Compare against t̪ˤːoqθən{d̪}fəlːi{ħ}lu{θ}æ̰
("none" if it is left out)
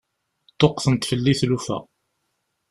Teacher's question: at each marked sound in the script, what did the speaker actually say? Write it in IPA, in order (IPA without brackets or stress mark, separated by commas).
t̪, θ, f